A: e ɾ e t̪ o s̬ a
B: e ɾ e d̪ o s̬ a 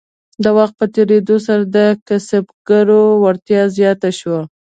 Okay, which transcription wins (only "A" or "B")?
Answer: B